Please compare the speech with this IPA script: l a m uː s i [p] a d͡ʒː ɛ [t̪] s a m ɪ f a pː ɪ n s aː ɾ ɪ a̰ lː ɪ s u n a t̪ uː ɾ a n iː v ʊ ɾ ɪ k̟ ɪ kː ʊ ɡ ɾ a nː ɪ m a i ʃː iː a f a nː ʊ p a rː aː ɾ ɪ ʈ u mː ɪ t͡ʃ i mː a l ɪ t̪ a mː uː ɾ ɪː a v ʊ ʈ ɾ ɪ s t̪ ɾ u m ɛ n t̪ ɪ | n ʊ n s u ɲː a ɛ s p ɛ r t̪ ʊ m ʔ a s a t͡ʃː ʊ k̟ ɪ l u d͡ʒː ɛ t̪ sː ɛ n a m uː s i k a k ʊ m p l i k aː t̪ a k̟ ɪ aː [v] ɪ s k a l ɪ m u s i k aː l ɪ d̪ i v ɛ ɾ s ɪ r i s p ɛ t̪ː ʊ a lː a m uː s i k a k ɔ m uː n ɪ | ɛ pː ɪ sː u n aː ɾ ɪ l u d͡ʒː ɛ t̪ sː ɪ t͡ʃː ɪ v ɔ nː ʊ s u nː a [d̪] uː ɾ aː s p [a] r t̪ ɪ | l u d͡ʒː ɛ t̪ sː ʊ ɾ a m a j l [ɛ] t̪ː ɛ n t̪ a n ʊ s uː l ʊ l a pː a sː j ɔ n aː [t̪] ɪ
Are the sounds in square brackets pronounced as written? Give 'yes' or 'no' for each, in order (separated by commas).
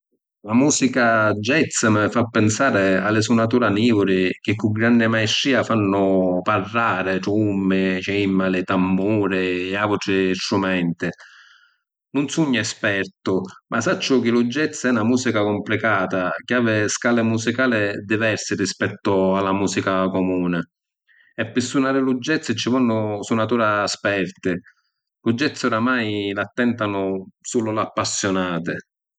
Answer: no, yes, yes, no, no, no, yes